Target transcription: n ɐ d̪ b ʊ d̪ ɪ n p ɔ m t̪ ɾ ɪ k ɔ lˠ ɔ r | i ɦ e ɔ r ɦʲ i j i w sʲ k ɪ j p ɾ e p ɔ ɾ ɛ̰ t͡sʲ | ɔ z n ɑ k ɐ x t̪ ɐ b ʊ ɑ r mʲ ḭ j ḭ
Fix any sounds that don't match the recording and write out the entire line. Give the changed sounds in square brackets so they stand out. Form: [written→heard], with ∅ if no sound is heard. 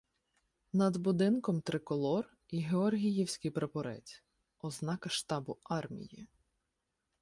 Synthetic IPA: n ɐ d̪ b ʊ d̪ ɪ n [p→k] ɔ m t̪ ɾ ɪ k ɔ lˠ ɔ r | i ɦ e ɔ r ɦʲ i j i w sʲ k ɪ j p ɾ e p ɔ ɾ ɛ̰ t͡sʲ | ɔ z n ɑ k ɐ [x→ʃ] t̪ [ɐ→ɑ] b ʊ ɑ r mʲ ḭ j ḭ

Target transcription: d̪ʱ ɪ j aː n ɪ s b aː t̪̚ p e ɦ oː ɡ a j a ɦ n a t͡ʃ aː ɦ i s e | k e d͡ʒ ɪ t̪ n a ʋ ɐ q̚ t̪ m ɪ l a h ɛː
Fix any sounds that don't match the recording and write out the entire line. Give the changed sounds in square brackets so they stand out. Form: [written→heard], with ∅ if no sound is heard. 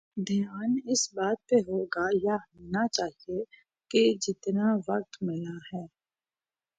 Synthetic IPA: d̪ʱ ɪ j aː n ɪ s b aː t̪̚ p e ɦ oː ɡ a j a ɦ n a t͡ʃ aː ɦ i [s→∅] e | k e d͡ʒ ɪ t̪ n a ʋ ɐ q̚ t̪ m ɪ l a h ɛː

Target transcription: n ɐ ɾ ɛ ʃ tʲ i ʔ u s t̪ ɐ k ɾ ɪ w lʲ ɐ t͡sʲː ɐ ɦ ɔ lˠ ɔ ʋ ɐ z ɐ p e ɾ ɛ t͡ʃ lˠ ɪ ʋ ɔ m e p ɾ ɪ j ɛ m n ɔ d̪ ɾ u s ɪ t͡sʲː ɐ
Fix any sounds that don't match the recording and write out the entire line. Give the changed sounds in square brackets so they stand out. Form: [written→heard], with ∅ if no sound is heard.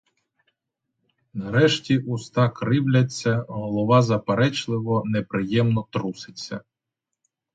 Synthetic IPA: n ɐ ɾ ɛ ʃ tʲ i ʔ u s t̪ [ɐ→ɑ] k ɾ ɪ w lʲ ɐ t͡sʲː ɐ ɦ ɔ lˠ ɔ ʋ [ɐ→ɑ] z ɐ p e ɾ ɛ t͡ʃ lˠ ɪ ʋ ɔ [m→n] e p ɾ ɪ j ɛ m n ɔ [d̪→t̪] ɾ u s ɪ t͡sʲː ɐ

